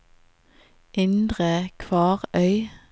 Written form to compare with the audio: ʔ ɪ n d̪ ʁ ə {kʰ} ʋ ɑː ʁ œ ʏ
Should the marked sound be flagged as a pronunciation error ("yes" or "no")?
no